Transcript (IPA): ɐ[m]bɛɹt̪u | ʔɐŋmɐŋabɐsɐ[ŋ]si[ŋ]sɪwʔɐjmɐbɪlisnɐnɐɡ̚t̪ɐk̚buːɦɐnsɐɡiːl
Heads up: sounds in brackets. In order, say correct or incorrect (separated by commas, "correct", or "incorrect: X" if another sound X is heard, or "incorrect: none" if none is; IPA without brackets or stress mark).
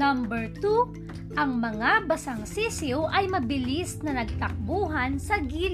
correct, correct, incorrect: none